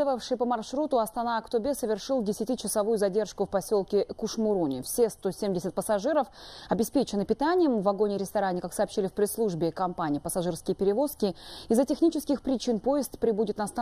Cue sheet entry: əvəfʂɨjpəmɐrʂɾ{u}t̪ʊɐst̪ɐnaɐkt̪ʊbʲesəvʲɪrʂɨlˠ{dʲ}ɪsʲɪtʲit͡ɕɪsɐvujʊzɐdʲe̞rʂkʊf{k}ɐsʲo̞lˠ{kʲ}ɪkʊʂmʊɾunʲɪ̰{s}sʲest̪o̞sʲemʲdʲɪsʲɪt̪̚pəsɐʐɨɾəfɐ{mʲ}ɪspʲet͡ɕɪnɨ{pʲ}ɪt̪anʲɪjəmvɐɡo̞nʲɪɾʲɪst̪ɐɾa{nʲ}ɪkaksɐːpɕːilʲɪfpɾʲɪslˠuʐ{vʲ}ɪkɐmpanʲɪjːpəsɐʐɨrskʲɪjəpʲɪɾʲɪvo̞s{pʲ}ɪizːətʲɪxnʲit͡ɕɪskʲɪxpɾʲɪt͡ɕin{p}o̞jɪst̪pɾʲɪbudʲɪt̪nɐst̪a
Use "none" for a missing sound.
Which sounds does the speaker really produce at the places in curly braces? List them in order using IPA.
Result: u, dʲ, p, kʲ, f, bʲ, pʲ, nʲ, bʲ, kʲ, p

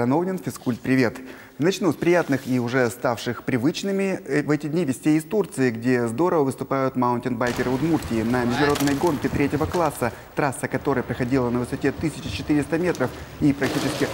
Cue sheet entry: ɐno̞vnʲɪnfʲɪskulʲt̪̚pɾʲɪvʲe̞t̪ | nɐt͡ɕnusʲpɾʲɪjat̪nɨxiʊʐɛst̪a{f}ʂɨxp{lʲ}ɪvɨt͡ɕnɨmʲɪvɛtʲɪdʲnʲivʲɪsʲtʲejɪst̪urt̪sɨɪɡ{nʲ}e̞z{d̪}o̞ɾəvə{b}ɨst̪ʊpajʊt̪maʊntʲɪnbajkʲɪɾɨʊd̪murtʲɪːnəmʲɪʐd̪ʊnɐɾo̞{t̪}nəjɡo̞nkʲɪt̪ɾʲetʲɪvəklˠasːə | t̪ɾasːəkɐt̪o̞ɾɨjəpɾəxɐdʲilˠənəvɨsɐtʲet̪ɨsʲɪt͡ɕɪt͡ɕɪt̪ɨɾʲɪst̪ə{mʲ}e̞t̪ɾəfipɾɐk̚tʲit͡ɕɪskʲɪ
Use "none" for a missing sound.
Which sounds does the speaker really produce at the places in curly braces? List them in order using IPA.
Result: f, ɾʲ, dʲ, d̪, v, d̪, mʲ

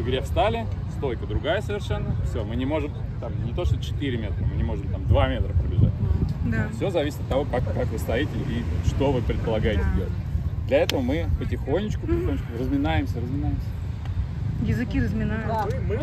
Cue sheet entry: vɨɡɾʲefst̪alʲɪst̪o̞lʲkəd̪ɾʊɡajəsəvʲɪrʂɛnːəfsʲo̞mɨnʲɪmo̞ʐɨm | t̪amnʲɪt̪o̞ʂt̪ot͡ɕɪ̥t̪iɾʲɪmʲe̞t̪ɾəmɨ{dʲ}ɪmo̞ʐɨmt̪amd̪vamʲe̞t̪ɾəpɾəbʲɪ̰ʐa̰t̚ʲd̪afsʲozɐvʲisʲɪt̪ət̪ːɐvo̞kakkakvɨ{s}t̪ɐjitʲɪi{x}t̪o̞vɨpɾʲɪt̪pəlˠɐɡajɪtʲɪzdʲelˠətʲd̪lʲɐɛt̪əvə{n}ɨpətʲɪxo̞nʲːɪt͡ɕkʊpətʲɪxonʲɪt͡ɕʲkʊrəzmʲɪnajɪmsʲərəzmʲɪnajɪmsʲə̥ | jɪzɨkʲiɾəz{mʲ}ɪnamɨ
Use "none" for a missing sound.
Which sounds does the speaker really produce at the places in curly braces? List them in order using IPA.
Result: nʲ, s, ʂ, m, mʲ

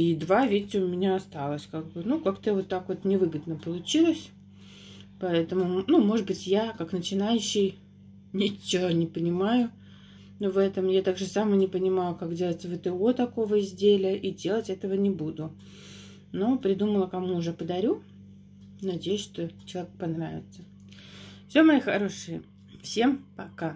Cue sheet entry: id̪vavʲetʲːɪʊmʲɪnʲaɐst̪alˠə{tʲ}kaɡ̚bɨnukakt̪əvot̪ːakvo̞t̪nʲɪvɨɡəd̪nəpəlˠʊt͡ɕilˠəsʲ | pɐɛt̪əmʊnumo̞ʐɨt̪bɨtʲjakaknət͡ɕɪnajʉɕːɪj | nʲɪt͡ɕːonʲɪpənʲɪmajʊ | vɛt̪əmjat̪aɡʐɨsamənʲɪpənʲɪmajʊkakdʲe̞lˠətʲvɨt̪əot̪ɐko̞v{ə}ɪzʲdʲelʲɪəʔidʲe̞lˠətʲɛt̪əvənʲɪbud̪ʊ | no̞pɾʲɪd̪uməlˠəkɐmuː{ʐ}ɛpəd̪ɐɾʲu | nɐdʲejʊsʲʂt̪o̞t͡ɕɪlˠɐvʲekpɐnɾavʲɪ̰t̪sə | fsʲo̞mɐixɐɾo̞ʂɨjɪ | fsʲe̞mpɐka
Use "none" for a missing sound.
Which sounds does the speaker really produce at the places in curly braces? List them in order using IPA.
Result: sʲ, ə, ʐ

